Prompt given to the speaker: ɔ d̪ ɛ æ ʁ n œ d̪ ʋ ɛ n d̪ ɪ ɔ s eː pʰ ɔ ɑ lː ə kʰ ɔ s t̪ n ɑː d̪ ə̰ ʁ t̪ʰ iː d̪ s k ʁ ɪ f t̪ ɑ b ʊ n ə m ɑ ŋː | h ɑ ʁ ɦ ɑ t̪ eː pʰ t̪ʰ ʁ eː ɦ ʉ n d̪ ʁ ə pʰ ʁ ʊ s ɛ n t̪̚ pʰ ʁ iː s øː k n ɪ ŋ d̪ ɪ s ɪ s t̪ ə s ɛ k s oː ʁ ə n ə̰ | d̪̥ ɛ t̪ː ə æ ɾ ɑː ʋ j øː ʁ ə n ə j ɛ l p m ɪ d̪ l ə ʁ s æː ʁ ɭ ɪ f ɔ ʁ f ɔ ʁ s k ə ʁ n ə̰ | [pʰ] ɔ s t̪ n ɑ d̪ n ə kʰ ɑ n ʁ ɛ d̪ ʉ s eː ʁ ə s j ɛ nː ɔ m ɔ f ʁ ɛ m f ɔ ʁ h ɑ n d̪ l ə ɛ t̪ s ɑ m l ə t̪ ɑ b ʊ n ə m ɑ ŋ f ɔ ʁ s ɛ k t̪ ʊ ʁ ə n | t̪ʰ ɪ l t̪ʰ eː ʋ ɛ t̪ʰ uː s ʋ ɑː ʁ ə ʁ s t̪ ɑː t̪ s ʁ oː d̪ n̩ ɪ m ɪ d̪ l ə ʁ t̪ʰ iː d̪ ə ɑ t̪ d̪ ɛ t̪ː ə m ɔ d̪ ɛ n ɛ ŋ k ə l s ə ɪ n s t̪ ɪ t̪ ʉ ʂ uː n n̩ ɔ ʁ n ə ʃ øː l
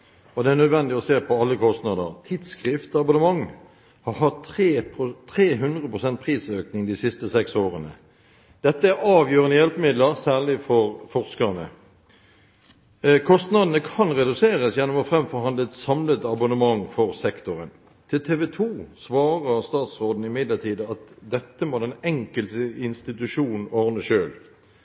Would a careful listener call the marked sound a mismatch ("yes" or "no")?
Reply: yes